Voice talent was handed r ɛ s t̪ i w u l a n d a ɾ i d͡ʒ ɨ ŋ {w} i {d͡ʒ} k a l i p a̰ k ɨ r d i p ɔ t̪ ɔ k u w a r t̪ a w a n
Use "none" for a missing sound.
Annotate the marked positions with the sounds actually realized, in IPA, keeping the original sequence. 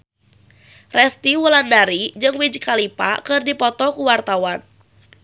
w, d͡ʒ

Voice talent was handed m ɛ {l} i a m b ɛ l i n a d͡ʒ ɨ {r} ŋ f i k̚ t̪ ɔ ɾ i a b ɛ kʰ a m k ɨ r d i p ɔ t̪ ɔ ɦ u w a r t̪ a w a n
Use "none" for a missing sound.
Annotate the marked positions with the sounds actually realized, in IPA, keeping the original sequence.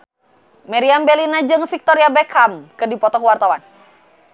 ɾ, none

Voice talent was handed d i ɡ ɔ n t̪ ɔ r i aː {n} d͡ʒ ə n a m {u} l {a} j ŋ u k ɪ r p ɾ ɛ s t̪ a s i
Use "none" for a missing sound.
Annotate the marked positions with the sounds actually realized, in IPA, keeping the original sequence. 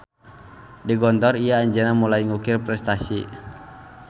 ɲ, u, a

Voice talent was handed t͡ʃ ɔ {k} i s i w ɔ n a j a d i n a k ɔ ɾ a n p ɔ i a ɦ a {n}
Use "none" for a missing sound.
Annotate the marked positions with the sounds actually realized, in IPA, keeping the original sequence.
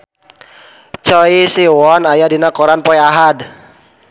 none, d

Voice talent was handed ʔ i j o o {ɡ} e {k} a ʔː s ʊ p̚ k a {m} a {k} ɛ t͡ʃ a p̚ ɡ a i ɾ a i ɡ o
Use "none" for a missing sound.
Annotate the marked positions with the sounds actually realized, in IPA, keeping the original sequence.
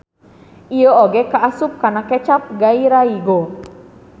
ɡ, k, n, k

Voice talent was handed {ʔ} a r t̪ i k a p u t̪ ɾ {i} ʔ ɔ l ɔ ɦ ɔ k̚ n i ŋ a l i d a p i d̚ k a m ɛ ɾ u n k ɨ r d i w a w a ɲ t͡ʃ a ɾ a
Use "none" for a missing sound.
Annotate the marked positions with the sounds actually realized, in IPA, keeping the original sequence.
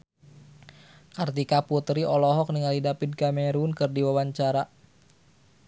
k, i

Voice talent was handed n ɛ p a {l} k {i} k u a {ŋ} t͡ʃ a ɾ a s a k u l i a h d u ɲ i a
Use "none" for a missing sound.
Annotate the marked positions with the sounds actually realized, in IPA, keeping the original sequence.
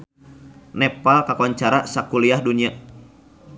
l, a, ɲ

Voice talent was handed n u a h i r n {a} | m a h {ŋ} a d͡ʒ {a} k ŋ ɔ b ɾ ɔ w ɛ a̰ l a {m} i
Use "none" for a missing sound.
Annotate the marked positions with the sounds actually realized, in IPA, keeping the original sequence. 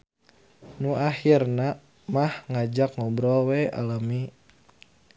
a, ŋ, a, m

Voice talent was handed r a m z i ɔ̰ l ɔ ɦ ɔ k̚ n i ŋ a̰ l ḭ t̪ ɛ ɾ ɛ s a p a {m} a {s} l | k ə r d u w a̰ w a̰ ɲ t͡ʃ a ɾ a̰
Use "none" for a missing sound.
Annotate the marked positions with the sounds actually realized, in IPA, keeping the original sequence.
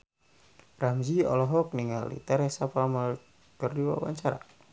m, none

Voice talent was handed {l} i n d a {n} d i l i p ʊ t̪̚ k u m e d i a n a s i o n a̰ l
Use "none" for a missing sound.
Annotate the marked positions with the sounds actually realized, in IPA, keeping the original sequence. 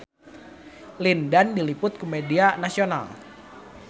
l, n

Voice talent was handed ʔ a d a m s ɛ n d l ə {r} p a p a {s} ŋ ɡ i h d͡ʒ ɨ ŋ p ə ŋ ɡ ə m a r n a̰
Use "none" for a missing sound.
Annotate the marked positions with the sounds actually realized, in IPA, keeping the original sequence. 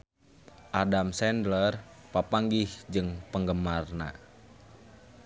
r, none

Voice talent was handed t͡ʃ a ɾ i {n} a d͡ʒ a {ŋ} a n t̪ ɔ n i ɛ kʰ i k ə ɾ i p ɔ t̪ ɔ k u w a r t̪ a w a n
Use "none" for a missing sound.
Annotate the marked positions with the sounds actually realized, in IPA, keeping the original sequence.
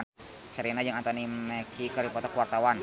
n, ŋ

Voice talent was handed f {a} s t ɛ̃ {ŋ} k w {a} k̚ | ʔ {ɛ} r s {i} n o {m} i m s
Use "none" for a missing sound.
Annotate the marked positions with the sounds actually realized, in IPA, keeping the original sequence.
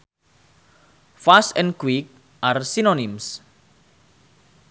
a, n, i, a, i, n

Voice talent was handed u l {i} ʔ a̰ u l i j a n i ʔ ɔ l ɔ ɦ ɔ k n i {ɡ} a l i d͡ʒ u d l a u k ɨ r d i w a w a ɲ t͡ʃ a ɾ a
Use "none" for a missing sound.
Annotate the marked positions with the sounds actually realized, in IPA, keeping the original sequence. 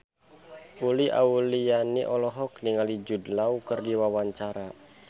i, ŋ

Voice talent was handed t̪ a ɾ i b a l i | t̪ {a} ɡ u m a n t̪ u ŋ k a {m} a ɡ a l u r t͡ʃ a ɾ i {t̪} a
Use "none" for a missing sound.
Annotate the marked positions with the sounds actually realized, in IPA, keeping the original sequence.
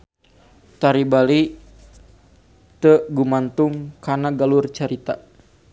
ə, n, t̪

